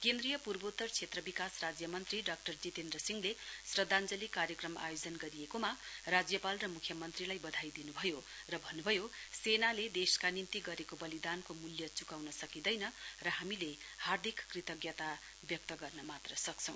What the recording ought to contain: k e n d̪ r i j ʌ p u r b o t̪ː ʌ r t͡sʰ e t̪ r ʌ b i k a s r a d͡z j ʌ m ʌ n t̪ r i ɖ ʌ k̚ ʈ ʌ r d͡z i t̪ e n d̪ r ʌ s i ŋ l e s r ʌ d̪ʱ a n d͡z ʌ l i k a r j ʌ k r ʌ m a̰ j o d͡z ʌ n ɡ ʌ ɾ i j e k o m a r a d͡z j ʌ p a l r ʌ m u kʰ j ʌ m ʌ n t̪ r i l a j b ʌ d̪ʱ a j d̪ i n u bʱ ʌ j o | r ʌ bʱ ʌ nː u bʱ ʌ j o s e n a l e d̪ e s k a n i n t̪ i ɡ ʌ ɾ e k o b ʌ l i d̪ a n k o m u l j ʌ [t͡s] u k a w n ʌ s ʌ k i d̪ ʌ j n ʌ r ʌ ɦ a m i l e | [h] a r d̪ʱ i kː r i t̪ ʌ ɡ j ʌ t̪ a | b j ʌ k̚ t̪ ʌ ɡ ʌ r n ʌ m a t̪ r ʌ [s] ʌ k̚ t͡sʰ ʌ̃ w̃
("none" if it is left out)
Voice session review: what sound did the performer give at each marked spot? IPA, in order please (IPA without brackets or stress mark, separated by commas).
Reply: t͡s, h, s